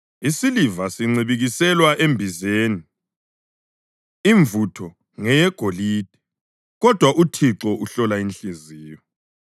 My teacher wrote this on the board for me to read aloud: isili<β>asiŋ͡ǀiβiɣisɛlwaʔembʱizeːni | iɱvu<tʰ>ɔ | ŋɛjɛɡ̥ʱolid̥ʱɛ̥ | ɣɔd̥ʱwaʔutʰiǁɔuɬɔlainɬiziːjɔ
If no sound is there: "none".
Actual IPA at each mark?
v, tʰ

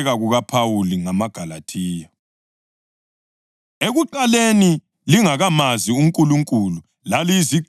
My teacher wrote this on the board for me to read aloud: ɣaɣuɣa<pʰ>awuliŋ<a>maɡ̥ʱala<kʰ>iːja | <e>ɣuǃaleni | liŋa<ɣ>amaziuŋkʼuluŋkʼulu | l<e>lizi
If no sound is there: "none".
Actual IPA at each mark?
pʰ, a, tʰ, e, ɣ, a

